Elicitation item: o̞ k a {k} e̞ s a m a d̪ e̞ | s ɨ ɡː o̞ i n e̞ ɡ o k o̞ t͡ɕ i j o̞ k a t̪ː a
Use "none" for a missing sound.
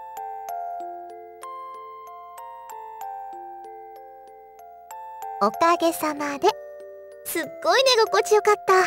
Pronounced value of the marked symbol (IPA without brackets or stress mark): ɡ